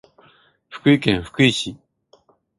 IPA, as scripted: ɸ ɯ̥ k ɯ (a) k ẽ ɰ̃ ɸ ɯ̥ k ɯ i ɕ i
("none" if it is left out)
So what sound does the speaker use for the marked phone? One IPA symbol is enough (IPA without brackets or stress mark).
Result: i